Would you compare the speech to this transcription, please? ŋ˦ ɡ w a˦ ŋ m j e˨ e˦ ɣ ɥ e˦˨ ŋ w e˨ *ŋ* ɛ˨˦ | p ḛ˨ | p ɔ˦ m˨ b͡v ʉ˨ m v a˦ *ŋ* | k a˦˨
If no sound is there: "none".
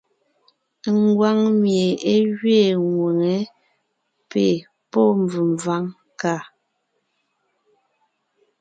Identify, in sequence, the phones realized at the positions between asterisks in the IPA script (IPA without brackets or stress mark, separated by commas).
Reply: ŋ, ŋ